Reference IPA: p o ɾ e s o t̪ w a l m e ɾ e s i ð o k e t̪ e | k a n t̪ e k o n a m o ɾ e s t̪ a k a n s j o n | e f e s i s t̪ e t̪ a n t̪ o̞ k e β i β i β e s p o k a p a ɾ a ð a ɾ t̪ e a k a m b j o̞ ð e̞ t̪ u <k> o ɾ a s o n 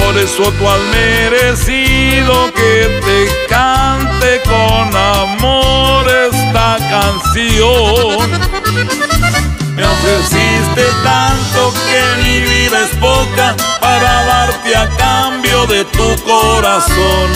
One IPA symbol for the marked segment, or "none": k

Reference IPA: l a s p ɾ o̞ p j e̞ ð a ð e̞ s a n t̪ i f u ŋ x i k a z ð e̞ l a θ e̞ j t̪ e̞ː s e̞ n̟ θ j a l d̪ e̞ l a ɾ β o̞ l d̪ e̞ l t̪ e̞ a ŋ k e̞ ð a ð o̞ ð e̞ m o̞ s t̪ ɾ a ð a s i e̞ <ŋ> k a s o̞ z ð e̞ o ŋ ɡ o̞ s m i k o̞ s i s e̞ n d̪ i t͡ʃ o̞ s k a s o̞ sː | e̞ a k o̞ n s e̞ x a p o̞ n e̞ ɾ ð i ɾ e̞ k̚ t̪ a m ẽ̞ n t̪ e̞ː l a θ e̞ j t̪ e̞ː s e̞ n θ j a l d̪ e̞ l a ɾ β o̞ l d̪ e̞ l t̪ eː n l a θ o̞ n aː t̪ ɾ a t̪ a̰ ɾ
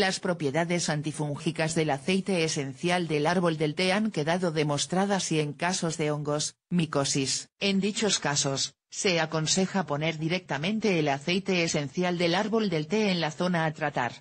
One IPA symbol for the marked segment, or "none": ŋ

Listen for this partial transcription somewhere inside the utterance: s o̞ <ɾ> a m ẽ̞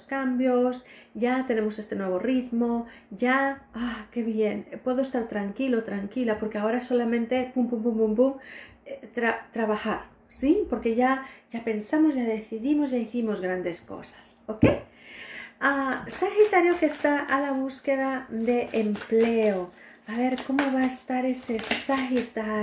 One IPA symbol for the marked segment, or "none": l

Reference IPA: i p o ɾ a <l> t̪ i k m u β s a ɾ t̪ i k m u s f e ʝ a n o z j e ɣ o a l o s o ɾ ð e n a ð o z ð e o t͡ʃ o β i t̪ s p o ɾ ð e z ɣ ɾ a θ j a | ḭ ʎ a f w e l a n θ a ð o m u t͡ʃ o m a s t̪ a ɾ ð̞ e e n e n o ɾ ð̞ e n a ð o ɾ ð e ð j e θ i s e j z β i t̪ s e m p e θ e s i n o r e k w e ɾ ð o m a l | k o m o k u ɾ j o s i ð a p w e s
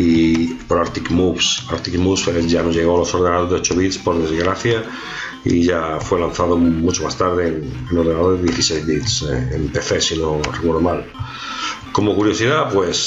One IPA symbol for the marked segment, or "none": ɾ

